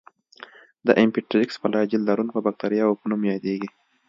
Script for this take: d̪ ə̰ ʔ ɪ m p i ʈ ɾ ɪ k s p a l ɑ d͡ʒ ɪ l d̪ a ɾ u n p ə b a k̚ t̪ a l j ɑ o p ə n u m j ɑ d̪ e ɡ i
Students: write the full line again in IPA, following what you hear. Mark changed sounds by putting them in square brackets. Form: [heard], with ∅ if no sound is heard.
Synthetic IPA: d̪ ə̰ ʔ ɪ m p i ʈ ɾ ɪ k s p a l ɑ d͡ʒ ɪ l d̪ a ɾ u n p ə b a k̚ t̪ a [ɾ] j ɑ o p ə n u m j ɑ d̪ e ɡ i

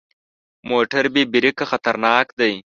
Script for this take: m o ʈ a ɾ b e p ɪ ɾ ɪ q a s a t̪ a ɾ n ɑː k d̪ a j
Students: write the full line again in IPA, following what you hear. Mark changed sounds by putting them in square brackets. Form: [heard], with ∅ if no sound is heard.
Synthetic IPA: m o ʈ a ɾ b e [b] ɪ ɾ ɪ [k] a [x] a t̪ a ɾ n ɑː k d̪ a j

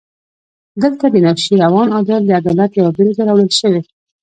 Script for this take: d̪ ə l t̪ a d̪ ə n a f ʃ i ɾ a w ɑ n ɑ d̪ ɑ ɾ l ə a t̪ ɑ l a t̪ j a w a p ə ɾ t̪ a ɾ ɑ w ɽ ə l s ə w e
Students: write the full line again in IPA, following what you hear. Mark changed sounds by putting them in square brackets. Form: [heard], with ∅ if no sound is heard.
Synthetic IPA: d̪ ə l t̪ a d̪ ə n a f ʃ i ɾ a w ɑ n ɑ d̪ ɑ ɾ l ə a [d̪] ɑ l a t̪ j a w a [b] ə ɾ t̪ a ɾ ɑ w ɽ ə l [ʃ] ə w e

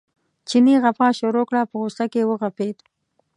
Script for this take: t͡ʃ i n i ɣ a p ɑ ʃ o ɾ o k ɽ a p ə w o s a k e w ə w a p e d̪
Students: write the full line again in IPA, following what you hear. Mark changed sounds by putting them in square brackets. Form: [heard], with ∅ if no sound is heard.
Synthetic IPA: t͡ʃ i n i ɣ a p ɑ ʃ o ɾ o k ɽ a p ə [ɣ] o s a k e w ə [ɣ] a p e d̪

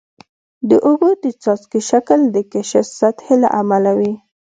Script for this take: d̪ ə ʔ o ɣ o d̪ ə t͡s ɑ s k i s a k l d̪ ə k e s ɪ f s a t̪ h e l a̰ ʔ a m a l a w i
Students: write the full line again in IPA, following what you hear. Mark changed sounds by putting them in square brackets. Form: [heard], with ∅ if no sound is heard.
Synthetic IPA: d̪ ə ʔ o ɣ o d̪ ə t͡s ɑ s k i [ʃ] a k l d̪ ə k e [ʃ] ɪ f s a t̪ h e l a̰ ʔ a m a l a w i

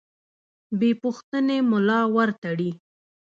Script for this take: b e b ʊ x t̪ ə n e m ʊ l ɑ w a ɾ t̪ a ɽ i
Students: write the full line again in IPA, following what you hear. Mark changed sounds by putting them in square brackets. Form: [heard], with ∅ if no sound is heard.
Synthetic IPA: b e [p] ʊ x t̪ ə n e m ʊ l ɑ w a ɾ t̪ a ɽ i

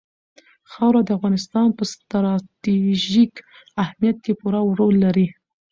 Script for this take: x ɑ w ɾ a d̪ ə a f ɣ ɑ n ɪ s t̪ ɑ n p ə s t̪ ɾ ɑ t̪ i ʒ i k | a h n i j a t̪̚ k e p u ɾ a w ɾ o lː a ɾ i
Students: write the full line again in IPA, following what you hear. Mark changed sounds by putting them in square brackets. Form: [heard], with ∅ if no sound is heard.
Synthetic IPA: x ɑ w ɾ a d̪ ə a f ɣ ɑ n ɪ s t̪ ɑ n p ə s t̪ ɾ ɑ t̪ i ʒ i k | a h [m] i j a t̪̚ k e p u ɾ a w ɾ o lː a ɾ i

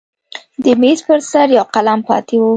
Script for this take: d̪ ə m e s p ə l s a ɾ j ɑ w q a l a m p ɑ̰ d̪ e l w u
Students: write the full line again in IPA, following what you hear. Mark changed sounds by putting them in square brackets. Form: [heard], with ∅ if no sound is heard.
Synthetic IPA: d̪ ə m e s p ə [ɾ] s a ɾ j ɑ w q a l a m p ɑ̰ [t̪] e [∅] w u

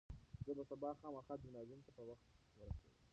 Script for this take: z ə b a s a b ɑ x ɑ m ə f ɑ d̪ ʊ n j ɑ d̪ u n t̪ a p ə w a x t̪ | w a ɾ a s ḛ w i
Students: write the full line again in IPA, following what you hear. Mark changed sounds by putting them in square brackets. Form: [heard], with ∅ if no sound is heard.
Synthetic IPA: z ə b a s a b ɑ x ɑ m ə [x] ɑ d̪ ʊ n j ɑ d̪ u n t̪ a p ə w a x t̪ | w [ə] ɾ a s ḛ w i

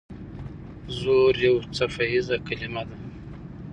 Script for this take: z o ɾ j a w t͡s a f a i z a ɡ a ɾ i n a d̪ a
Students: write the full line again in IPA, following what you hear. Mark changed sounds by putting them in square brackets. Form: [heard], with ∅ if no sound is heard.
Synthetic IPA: z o ɾ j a w t͡s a f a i z a [k] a [l] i [m] a d̪ a

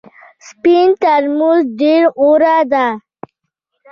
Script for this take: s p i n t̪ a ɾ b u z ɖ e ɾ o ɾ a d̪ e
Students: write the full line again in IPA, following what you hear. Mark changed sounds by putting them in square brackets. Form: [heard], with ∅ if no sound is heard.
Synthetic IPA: s p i n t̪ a ɾ [m] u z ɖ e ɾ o ɾ a d̪ [a]

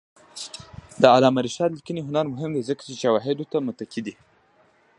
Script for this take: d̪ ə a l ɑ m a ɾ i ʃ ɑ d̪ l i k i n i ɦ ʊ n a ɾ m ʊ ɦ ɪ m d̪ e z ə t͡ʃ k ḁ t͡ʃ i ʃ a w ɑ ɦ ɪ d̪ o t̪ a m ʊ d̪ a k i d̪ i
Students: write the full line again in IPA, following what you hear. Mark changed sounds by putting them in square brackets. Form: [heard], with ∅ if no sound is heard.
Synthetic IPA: d̪ ə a l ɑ m a ɾ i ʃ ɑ d̪ l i k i n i ɦ ʊ n a ɾ m ʊ ɦ ɪ m d̪ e z ə [∅] k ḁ t͡ʃ [e] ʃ a w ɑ ɦ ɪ d̪ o t̪ a m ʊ [t̪] a k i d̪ i

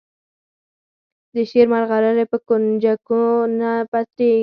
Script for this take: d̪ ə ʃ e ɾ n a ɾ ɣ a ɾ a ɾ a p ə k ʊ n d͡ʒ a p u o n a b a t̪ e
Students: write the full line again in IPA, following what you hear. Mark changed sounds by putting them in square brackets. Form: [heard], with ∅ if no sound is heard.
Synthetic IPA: d̪ ə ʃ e ɾ [m] a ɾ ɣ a ɾ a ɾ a p ə k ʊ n d͡ʒ a [k] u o n a [p] a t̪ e

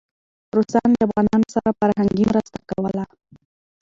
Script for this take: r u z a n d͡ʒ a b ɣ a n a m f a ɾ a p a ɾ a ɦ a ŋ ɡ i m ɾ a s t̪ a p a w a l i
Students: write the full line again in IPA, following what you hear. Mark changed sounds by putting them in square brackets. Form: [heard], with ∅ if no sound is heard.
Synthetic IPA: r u [s] a n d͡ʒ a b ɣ a n a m [s] a ɾ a p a ɾ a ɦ a ŋ ɡ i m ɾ a s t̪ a [k] a w a l [a]

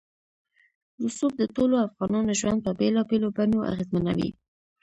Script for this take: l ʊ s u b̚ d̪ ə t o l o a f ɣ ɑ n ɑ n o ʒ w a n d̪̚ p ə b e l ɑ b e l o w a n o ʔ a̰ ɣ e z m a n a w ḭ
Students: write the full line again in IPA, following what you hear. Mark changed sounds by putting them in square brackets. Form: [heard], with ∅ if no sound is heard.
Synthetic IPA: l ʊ s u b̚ d̪ ə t o l o a f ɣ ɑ n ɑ n o ʒ w a n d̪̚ p ə b e l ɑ b e l o [b] a n o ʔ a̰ ɣ e z m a n a w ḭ

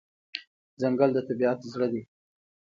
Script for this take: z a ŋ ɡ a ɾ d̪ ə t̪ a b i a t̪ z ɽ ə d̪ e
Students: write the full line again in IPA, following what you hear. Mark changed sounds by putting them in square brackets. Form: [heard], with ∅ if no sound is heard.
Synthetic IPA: z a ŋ ɡ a [l] d̪ ə t̪ a b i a t̪ z ɽ ə d̪ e

